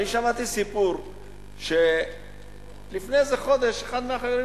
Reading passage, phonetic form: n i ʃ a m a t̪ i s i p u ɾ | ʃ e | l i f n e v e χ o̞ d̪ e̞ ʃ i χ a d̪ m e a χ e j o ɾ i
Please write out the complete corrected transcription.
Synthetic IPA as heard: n i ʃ a m a t̪ i s i p u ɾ | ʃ e | l i f n e z e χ o̞ d̪ e̞ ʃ e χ a d̪ m e a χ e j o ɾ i